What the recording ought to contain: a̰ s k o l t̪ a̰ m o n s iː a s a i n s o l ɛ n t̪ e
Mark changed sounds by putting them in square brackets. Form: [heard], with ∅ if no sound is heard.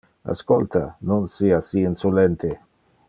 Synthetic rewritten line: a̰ s k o l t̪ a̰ [n] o n s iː a s [i] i n s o l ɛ n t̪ e

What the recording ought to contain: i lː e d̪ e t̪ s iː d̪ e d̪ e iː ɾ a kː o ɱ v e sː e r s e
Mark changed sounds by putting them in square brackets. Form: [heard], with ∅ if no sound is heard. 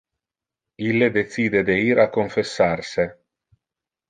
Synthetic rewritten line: i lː e d̪ e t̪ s iː d̪ e d̪ e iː ɾ a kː o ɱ [f] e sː [a] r s e

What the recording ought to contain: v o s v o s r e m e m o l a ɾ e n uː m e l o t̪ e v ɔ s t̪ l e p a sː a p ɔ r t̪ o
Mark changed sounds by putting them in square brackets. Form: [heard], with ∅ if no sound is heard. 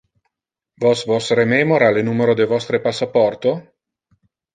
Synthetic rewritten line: v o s v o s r e m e m o [ɾ] a [l] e n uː m e [ɾ] o [d̪] e v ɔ s t̪ [ɾ] e p a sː a p ɔ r t̪ o

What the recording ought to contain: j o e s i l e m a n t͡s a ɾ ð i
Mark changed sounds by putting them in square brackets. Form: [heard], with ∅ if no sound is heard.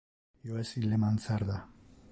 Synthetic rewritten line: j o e s i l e m a n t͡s a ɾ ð [a]

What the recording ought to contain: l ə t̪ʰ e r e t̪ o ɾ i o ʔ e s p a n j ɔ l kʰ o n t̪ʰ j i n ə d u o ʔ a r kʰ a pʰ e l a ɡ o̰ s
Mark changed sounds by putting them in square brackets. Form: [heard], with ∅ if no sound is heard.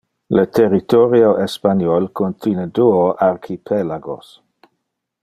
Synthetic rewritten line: l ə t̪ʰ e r [i] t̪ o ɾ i o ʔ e s p a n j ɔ l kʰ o n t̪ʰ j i n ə d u o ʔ a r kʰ [i] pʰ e l a ɡ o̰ s

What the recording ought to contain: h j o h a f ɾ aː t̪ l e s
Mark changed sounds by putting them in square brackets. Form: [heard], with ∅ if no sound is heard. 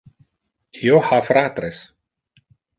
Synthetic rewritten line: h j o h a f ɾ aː t̪ [ɾ] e s

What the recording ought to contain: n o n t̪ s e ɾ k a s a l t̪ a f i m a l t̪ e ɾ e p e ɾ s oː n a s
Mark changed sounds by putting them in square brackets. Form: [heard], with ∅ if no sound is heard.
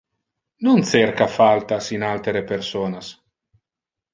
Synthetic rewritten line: n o n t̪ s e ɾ k a [f] a l t̪ a [s] i [n] a l t̪ e ɾ e p e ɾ s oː n a s

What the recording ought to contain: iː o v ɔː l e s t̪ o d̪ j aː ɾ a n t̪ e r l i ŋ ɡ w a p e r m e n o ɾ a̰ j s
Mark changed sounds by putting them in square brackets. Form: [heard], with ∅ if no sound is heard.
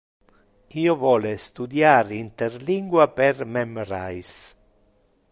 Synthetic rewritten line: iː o v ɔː l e s t̪ [u] d̪ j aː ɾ [i] n t̪ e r l i ŋ ɡ w a p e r m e [m] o ɾ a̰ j s

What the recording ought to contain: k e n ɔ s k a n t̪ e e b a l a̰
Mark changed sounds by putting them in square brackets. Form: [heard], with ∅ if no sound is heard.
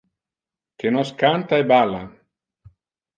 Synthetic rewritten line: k e n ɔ s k a n t̪ [a] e b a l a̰

